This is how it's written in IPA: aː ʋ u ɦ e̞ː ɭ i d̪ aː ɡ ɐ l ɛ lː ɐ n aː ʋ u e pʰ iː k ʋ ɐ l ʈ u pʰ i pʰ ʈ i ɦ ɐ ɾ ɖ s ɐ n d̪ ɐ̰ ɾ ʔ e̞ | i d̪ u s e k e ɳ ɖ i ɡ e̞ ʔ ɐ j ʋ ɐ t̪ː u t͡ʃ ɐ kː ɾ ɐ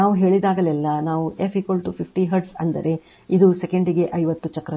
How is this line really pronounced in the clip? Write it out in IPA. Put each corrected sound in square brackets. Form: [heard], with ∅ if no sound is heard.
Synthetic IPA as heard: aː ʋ u ɦ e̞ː ɭ i d̪ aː ɡ ɐ l ɛ lː ɐ n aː ʋ u e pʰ iː k ʋ ɐ l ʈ u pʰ i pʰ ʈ i ɦ ɐ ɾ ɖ s ɐ n d̪ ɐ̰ ɾ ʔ e̞ | i d̪ u s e k e ɳ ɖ i ɡ e̞ ʔ ɐ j ʋ ɐ t̪ː u t͡ʃ ɐ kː ɾ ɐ